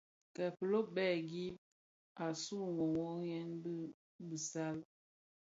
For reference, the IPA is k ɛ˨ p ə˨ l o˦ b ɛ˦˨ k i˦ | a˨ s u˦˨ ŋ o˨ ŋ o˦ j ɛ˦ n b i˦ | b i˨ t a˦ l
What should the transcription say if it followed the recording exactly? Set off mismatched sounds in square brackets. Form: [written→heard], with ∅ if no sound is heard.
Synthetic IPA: k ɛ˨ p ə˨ l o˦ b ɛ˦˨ [k→ɡ] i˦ | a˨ s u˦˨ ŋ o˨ ŋ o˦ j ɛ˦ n b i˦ | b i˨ [t→s] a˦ l